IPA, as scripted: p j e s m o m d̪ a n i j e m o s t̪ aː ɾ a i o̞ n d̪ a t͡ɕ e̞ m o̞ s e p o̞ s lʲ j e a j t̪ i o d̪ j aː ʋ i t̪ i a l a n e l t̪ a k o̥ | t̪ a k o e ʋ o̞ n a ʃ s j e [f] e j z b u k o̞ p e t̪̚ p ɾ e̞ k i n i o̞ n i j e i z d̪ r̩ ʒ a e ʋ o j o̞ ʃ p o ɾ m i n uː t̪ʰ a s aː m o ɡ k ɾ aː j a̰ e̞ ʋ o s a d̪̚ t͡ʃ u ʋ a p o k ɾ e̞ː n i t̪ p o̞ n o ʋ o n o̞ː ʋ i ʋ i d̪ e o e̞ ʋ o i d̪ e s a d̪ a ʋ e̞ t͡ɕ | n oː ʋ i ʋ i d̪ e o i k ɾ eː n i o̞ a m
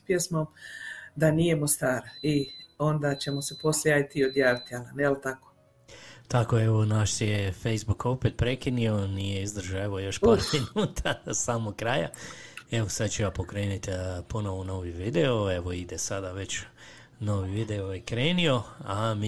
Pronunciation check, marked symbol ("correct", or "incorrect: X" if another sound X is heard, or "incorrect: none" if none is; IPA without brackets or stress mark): correct